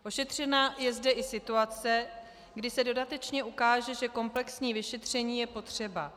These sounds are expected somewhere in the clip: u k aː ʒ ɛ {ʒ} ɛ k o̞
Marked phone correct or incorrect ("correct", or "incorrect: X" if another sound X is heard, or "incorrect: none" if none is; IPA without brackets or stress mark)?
correct